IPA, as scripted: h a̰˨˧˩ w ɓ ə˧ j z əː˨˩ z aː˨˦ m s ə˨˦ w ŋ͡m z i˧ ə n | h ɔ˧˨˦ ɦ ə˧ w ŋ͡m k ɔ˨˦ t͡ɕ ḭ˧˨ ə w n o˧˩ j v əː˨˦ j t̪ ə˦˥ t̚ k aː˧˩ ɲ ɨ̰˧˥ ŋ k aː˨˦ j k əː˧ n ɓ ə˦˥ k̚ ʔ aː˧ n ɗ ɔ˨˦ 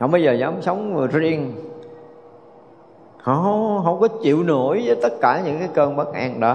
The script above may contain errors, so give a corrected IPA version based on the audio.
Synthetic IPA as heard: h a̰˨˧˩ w ɓ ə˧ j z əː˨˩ z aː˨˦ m s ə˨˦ w ŋ͡m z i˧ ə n | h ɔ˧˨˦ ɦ ə˧ w ŋ͡m k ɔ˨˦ t͡ɕ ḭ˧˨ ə w n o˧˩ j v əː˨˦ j t̪ ə˦˥ t̚ k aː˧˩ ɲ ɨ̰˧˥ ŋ k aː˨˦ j k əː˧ n ɓ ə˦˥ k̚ ʔ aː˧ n ɗ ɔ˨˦